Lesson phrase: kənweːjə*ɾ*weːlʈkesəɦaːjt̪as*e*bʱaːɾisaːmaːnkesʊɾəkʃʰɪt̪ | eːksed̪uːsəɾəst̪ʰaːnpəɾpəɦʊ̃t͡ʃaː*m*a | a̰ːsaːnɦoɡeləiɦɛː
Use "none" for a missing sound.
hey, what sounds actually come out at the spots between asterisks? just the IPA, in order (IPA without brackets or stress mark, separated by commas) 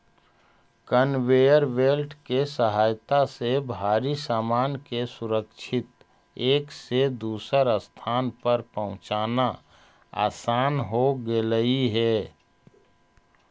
ɾ, e, n